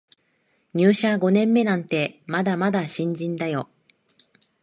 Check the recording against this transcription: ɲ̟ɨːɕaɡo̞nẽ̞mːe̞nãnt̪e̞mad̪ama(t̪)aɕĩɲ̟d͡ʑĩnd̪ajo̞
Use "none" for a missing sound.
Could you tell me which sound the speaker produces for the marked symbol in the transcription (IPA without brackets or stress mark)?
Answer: d̪